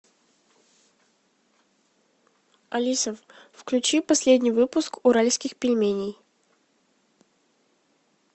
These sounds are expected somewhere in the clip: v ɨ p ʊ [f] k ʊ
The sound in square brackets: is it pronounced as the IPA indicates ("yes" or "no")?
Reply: no